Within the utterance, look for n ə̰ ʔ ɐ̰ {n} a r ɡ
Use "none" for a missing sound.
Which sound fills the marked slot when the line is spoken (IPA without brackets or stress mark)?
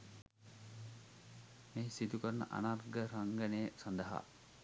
n